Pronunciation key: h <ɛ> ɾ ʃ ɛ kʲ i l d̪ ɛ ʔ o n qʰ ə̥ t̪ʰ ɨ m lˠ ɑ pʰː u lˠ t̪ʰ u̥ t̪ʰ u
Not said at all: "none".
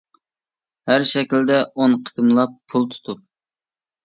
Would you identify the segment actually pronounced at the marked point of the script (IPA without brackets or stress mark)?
æ